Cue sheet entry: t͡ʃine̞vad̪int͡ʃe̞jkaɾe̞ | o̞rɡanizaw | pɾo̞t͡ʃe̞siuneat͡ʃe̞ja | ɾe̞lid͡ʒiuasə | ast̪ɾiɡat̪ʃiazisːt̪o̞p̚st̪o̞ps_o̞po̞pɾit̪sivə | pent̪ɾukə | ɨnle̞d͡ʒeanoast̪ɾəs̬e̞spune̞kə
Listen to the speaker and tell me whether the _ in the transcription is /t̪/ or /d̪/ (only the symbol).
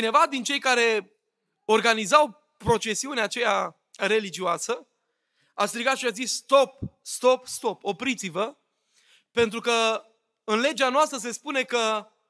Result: t̪